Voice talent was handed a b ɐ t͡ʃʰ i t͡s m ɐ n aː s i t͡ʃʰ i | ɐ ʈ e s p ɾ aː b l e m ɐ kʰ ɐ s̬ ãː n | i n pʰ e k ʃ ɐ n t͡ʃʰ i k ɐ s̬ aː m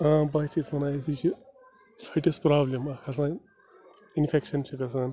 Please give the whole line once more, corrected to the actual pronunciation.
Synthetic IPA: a b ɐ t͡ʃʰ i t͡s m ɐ n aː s i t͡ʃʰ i | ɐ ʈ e s p ɾ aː b l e m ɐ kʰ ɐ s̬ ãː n | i n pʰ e k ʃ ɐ n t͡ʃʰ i k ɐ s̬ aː n